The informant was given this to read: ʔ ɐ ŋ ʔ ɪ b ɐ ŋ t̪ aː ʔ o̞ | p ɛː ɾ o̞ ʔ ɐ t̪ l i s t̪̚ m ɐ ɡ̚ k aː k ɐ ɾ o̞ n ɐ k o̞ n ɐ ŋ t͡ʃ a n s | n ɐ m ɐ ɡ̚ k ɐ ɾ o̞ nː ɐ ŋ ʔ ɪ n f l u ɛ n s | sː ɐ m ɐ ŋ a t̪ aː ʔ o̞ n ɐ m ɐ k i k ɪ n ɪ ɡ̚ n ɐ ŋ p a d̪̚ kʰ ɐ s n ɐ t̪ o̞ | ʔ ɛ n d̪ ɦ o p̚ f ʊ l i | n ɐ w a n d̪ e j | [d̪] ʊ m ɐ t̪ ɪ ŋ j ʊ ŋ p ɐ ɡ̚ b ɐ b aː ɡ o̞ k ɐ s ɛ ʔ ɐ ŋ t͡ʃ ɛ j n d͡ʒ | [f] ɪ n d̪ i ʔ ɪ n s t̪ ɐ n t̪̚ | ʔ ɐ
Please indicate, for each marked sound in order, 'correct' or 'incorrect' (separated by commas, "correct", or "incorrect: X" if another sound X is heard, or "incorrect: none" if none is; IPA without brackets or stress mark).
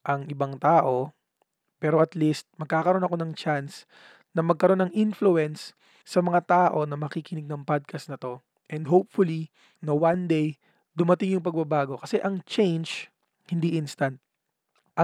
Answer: correct, incorrect: h